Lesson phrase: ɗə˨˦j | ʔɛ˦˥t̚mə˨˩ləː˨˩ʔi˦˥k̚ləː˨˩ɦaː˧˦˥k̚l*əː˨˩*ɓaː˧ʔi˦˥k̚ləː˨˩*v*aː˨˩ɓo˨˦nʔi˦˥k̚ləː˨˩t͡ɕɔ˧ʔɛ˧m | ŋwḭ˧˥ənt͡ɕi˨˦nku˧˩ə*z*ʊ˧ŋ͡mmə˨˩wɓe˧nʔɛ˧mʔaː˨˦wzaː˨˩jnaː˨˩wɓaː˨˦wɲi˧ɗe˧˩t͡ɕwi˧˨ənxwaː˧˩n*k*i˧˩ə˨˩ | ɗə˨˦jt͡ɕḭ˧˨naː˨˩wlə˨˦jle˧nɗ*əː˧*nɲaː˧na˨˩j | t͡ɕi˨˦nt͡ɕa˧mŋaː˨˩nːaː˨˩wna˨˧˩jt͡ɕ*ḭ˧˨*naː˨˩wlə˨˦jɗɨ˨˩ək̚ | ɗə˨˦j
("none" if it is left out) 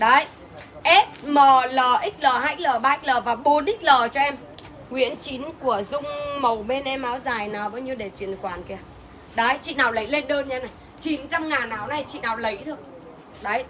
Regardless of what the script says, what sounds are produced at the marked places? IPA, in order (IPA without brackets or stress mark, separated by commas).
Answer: əː˨˩, v, z, k, əː˧, ḭ˧˨